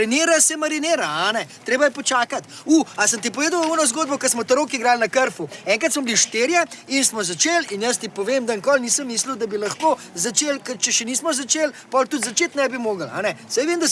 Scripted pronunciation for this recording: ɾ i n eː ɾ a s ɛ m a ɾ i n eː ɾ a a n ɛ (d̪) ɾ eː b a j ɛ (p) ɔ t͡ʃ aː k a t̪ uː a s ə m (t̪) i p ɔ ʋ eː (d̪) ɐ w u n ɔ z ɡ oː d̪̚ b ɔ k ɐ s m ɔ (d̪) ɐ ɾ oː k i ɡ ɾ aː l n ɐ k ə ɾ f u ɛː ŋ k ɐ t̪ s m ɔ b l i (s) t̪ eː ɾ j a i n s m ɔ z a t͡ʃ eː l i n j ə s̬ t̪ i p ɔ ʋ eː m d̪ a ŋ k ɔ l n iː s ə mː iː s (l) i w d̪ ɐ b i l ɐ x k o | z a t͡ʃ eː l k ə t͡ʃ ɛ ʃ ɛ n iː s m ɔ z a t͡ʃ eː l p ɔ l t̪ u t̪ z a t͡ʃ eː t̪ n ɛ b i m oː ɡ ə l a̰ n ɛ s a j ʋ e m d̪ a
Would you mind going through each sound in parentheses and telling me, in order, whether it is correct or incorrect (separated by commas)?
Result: incorrect, correct, correct, correct, incorrect, incorrect, correct